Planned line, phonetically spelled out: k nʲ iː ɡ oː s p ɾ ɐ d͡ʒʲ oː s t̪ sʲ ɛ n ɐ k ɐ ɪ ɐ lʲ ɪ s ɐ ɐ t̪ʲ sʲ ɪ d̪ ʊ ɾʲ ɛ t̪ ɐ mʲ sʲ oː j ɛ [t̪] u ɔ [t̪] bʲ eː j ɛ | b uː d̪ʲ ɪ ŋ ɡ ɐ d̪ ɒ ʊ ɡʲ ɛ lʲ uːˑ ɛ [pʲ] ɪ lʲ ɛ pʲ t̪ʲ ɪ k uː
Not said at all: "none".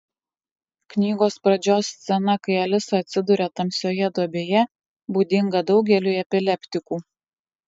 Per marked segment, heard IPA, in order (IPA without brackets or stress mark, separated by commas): d̪, none, pʲ